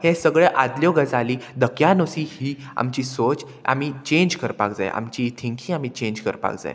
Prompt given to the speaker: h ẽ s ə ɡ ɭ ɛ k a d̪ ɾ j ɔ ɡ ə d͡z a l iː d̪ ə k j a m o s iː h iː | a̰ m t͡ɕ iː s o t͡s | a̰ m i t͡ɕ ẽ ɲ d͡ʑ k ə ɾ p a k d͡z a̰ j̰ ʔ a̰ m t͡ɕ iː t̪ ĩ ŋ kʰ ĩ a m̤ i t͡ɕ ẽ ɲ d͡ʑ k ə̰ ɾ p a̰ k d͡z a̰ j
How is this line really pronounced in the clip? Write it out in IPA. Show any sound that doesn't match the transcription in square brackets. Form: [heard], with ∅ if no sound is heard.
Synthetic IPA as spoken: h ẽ s ə ɡ ɭ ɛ [ʔ] a d̪ [l] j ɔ ɡ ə d͡z a l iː d̪ ə k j a [n] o s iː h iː | a̰ m t͡ɕ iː s o t͡s | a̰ m i t͡ɕ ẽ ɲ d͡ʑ k ə ɾ p a k d͡z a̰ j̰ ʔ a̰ m t͡ɕ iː [t̪ʰ] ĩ ŋ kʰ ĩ a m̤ i t͡ɕ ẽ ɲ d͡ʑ k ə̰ ɾ p a̰ k d͡z a̰ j

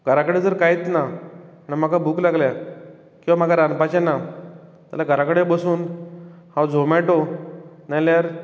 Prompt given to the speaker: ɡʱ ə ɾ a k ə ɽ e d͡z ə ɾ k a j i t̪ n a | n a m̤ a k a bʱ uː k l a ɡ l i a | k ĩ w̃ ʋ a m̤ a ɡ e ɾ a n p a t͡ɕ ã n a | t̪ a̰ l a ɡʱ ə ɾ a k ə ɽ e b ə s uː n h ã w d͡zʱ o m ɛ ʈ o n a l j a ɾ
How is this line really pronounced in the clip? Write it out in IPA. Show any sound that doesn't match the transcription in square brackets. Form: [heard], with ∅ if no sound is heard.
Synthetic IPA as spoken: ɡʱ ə ɾ a k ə ɽ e d͡z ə ɾ k a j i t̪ n a | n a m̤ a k a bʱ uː k l a ɡ l [j] a | k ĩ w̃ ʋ a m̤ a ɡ [a] ɾ a n p a t͡ɕ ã n a | t̪ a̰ l a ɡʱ ə ɾ a k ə ɽ e b ə s uː n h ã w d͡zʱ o m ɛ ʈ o n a l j a ɾ

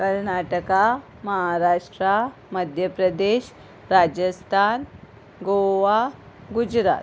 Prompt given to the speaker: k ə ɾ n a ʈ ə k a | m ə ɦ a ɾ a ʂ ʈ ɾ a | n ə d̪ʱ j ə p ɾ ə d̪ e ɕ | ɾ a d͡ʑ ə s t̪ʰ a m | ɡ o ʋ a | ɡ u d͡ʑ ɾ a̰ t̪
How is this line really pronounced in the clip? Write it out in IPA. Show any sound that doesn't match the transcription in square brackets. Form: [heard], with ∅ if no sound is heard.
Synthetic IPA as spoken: k ə ɾ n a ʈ ə k a | m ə ɦ a ɾ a ʂ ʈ ɾ a | [m] ə d̪ʱ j ə p ɾ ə d̪ e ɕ | ɾ a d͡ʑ ə s t̪ʰ a [n] | ɡ o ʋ a | ɡ u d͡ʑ ɾ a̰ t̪

